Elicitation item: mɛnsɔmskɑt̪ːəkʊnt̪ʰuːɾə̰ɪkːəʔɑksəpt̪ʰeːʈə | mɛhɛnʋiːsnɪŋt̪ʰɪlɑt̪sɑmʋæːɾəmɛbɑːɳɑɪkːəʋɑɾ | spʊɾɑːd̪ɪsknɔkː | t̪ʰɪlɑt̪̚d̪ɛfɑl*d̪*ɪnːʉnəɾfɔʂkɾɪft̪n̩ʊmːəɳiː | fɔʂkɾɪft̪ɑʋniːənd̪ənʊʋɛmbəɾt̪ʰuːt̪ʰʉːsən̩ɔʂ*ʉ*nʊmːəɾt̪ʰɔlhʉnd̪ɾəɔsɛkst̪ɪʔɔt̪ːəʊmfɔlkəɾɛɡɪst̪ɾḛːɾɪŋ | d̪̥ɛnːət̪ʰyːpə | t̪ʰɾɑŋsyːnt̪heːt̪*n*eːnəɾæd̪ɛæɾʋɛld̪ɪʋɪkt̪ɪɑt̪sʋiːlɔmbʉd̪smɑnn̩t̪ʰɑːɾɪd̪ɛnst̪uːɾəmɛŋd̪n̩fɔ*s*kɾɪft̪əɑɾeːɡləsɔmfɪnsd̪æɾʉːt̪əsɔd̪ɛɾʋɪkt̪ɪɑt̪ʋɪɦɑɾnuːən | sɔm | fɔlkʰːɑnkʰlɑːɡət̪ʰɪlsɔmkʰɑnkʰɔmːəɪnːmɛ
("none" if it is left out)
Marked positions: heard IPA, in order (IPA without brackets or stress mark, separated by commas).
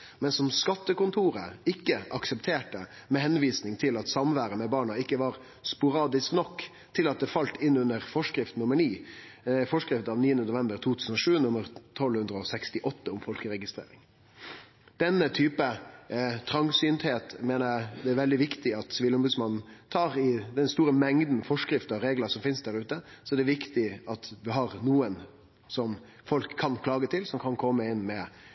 t̪, ʉː, m, ʂ